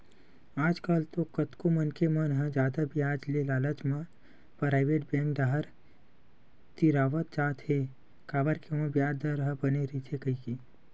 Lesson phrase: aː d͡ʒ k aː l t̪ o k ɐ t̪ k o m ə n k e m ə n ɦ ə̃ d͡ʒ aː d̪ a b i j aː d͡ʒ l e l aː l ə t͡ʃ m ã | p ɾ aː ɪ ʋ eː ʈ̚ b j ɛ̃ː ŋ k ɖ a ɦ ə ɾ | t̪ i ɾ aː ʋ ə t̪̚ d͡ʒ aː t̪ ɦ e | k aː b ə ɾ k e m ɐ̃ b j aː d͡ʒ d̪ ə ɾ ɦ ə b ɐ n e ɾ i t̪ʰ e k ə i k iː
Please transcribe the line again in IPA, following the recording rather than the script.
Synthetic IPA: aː d͡ʒ k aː l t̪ o k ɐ t̪ k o m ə n k e m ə n ɦ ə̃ d͡ʒ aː d̪ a b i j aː d͡ʒ l e l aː l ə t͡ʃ m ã | p ɾ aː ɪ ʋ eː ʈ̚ b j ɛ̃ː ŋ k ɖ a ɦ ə ɾ | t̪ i ɾ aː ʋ ə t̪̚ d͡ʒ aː t̪ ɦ e | k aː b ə ɾ k e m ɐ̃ b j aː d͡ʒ d̪ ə ɾ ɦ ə b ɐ n e ɾ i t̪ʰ e k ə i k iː